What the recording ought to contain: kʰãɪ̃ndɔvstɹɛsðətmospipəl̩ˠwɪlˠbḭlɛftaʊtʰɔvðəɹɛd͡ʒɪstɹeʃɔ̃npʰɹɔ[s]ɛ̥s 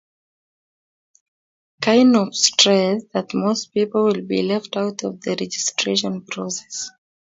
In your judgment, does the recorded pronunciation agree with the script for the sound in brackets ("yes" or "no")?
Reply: yes